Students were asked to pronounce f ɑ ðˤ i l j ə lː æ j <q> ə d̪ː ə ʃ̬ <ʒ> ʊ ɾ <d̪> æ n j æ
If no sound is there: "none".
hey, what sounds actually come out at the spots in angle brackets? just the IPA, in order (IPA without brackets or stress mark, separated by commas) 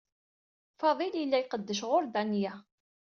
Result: q, ʁ, d̪